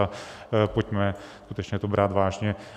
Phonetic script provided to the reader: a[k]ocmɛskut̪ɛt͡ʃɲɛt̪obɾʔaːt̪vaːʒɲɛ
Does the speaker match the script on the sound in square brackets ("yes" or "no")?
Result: no